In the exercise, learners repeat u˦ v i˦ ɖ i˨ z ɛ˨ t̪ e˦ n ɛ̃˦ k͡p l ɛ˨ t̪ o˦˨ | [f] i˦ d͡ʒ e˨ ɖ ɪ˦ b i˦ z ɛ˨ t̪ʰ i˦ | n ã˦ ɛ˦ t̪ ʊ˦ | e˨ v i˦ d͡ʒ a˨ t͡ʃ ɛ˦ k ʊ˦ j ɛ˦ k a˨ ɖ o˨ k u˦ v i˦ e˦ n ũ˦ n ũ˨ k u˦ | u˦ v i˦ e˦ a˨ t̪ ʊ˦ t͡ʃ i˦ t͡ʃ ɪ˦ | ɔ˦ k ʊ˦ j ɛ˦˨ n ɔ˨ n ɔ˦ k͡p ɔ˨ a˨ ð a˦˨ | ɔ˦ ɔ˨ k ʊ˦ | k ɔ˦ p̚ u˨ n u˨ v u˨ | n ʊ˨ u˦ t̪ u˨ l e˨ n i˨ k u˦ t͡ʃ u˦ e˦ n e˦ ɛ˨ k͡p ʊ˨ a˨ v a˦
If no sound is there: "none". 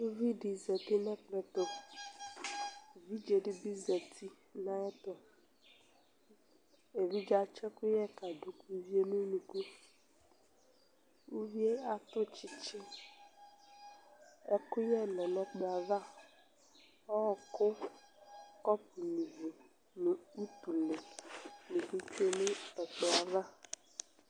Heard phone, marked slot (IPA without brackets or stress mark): v